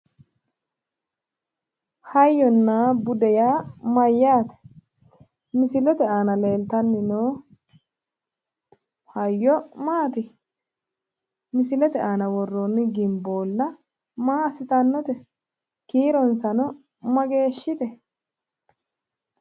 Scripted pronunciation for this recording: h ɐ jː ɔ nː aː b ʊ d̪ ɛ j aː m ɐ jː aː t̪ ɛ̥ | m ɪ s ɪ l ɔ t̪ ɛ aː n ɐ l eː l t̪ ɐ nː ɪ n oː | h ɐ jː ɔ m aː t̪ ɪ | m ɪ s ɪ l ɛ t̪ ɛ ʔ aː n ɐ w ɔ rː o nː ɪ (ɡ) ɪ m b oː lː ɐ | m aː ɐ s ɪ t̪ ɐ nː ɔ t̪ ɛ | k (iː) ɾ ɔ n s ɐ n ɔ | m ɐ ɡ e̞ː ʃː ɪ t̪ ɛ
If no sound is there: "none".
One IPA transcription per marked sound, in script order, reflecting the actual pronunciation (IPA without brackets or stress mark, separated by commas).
ɡ, iː